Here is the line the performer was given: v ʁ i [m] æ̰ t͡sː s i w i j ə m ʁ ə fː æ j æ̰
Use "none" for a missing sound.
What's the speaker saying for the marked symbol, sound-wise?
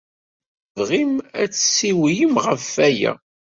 m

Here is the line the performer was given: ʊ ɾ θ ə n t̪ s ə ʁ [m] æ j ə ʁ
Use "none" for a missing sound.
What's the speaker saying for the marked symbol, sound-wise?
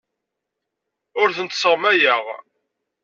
m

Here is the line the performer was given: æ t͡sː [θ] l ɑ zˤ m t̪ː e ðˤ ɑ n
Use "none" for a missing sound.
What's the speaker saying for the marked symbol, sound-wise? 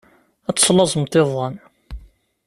s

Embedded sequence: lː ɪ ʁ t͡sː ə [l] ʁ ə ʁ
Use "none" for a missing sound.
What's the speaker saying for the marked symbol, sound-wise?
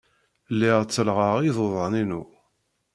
l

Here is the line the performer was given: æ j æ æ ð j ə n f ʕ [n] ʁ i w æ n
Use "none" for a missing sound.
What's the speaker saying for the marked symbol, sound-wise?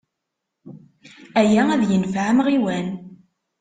m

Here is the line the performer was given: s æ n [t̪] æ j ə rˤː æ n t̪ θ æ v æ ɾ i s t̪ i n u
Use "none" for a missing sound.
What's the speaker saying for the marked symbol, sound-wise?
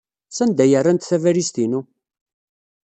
d̪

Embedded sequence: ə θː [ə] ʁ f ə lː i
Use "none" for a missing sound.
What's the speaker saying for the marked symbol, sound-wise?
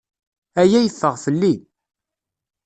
ə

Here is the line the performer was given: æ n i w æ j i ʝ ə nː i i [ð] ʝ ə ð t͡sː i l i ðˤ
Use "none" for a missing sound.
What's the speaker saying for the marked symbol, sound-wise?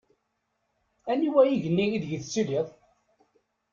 ð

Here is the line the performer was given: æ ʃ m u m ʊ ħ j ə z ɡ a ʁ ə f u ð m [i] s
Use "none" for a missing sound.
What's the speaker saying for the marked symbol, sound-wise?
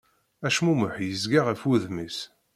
i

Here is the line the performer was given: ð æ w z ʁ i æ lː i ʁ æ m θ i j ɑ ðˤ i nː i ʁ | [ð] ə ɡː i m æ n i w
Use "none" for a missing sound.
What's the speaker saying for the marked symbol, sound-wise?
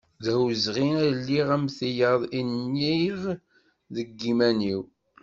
ð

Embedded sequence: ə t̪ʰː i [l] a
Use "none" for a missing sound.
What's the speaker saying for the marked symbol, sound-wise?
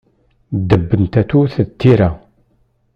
ɾ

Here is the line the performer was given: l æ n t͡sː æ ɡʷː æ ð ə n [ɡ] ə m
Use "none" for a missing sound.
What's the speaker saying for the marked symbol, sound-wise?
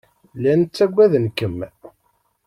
k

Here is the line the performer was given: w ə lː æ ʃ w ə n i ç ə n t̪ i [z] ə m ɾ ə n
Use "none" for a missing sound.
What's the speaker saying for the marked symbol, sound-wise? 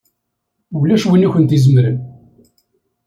z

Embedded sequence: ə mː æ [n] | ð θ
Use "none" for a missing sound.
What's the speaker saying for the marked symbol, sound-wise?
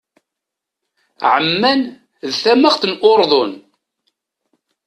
n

